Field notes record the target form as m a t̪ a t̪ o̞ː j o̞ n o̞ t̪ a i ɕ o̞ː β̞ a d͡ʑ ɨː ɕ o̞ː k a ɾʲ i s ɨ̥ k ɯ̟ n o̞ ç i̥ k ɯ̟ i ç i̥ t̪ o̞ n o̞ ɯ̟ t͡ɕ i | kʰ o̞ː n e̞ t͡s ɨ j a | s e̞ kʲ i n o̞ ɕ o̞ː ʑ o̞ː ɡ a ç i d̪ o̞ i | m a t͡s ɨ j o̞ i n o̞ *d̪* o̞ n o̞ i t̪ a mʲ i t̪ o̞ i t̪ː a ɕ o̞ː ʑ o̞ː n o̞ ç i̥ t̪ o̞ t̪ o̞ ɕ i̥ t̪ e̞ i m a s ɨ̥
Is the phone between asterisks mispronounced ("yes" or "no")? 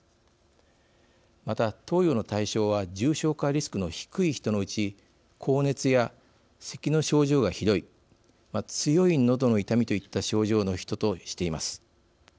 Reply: no